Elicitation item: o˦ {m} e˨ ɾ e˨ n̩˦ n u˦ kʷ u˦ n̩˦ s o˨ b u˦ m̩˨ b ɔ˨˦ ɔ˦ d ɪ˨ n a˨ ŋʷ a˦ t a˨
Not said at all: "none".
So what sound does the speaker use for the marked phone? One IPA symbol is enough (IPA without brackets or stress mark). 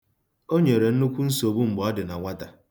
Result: ɲ